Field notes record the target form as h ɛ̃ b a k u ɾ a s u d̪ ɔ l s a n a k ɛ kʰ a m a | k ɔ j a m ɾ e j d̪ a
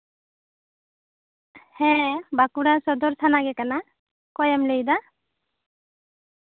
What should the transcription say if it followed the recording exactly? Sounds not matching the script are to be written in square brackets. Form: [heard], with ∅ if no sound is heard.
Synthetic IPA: h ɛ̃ b a k u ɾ a s [ɔ] d̪ ɔ [ɾ] s a n a [ɡ] ɛ [k] a [n] a | k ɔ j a m [l] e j d̪ a

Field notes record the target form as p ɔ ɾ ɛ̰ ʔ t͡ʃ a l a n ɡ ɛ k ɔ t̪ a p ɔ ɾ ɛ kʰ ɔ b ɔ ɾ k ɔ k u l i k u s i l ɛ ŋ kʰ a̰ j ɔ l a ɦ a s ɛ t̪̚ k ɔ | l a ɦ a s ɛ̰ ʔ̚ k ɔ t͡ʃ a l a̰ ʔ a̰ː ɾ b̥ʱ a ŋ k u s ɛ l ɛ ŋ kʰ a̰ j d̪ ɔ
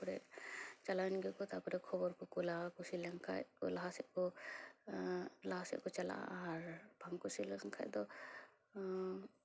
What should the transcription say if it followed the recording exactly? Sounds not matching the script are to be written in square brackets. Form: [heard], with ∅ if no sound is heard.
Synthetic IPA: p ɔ ɾ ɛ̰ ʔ t͡ʃ a l a n ɡ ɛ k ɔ t̪ a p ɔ ɾ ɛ kʰ ɔ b ɔ ɾ k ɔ k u l [a] k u s i l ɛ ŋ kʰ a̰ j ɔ l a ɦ a s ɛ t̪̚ k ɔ | l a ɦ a s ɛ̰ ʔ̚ k ɔ t͡ʃ a l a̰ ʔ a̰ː ɾ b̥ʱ a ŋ k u s [i] l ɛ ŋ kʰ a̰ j d̪ ɔ

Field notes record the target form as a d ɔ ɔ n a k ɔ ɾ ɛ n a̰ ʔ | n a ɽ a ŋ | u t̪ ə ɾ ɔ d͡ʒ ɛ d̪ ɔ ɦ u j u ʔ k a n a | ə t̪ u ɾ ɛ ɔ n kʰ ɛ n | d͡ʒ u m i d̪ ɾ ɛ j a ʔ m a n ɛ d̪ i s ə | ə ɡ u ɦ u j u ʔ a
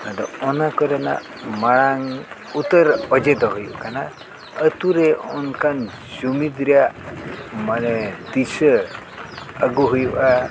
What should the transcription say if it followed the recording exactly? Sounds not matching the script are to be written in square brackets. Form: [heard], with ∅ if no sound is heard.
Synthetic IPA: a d ɔ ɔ n a k ɔ ɾ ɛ n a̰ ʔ | [m] a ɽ a ŋ | u t̪ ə ɾ ɔ d͡ʒ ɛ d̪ ɔ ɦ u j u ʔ k a n a | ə t̪ u ɾ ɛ ɔ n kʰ [a] n | d͡ʒ u m i d̪ ɾ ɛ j a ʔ m a n ɛ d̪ i s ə | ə ɡ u ɦ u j u ʔ a

